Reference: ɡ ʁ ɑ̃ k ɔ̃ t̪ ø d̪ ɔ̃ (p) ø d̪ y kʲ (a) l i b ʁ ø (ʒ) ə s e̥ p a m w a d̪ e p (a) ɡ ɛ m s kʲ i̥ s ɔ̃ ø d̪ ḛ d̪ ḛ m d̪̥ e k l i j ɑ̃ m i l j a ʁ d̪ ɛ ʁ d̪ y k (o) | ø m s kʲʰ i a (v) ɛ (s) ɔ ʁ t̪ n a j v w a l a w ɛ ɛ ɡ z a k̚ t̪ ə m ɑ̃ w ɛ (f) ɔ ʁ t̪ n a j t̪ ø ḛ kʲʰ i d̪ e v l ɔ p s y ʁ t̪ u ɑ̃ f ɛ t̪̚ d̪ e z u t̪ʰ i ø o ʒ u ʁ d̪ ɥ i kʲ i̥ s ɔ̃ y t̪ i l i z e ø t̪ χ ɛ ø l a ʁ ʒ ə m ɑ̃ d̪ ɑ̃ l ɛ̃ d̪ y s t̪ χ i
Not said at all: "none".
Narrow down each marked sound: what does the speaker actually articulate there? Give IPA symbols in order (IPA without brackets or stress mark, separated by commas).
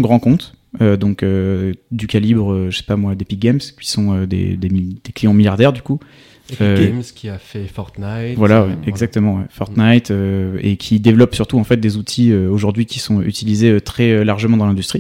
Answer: k, a, ʒ, i, u, f, f, f